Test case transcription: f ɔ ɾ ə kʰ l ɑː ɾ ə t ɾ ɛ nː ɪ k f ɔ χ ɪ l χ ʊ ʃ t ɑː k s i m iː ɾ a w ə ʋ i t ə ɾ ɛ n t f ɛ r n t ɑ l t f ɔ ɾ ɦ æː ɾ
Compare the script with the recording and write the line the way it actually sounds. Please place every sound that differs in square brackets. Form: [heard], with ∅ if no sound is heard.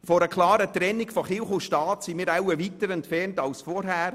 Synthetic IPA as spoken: f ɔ ɾ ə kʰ l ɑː ɾ ə t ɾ ɛ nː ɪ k f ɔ χ ɪ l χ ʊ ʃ t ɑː [t] s i m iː ɾ a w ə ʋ i t ə ɾ ɛ n t f ɛ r n t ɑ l [s] f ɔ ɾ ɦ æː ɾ